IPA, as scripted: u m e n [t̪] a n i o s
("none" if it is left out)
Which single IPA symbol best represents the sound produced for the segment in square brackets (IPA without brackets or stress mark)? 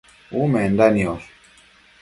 d̪